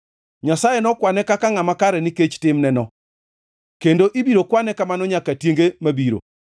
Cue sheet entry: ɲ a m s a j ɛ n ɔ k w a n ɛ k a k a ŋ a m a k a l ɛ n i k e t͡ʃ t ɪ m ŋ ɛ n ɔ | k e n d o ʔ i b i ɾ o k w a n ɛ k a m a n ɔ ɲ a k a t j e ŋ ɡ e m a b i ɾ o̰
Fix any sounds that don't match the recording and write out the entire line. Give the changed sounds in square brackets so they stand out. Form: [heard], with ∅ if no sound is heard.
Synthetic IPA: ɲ a [∅] s a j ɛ n ɔ k w a n ɛ k a k a ŋ a m a k a [ɾ] ɛ n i k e t͡ʃ t ɪ m [n] ɛ n ɔ | k e n d o ʔ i b i ɾ o k w a n ɛ k a m a n ɔ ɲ a k a t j e ŋ ɡ e m a b i ɾ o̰